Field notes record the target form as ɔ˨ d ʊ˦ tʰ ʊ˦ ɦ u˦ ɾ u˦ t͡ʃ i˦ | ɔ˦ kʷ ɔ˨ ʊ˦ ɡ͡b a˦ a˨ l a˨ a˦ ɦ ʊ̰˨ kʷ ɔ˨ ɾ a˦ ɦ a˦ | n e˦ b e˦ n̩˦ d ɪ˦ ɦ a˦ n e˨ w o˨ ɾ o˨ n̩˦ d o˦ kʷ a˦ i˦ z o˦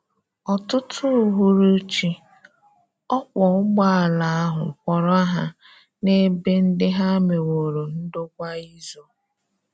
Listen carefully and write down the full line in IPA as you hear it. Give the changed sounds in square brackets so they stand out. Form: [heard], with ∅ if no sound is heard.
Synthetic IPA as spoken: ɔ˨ [t] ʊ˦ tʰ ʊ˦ ɦ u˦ ɾ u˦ t͡ʃ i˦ | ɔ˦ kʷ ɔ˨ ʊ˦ ɡ͡b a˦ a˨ l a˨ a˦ ɦ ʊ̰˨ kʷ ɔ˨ ɾ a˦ ɦ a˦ | n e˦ b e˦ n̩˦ d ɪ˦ ɦ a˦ [m] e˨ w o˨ ɾ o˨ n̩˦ d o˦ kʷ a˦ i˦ z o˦